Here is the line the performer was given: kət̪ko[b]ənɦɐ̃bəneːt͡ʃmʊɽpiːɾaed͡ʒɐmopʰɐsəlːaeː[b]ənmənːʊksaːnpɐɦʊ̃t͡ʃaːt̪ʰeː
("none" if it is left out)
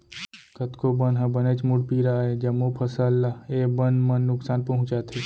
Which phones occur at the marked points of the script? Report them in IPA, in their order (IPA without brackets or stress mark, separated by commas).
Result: b, b